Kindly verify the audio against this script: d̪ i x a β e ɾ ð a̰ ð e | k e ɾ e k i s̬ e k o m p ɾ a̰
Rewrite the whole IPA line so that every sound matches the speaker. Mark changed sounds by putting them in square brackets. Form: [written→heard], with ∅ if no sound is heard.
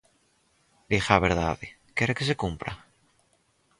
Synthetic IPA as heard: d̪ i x a β e ɾ ð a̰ ð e | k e ɾ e k [i→e] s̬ e k [o→u] m p ɾ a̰